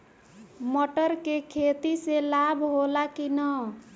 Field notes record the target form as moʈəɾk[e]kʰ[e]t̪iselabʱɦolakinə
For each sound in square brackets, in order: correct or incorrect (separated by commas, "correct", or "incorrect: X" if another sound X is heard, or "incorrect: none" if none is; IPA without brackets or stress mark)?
correct, correct